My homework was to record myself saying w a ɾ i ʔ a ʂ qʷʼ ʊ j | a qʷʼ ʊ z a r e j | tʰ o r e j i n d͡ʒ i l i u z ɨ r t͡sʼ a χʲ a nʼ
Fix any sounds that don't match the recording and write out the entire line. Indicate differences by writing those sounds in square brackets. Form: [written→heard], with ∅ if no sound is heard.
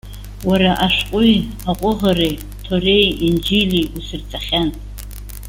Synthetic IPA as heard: w a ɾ [i→a] ʔ a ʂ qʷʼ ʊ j | a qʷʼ ʊ [z→ʁ] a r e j | tʰ o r e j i n d͡ʒ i l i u [z→s] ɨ r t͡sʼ a χʲ a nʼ